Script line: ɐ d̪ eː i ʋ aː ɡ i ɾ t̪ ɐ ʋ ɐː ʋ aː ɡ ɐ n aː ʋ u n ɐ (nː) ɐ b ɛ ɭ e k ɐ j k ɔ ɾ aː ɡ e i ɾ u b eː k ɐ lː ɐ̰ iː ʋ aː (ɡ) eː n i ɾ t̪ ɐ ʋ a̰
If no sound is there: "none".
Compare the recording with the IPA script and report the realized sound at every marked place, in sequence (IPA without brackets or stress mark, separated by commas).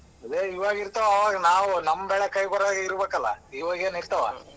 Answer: mː, ɡ